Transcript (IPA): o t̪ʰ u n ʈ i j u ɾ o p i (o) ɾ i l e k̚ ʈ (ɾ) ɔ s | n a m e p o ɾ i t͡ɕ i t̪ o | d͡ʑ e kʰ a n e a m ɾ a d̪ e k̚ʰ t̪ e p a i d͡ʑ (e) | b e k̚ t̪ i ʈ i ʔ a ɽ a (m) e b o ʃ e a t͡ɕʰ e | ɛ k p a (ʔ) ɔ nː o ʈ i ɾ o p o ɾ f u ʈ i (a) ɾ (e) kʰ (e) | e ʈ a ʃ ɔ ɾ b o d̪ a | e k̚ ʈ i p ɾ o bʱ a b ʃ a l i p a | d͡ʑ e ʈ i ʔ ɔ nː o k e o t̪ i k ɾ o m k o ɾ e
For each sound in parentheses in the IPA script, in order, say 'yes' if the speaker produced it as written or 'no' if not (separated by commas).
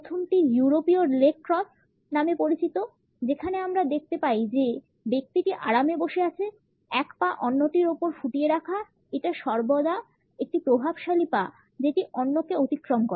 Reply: yes, yes, yes, yes, yes, no, no, no